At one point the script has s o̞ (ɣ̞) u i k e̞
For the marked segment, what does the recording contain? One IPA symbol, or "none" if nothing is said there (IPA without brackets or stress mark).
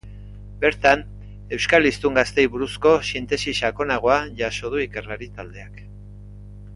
ð̞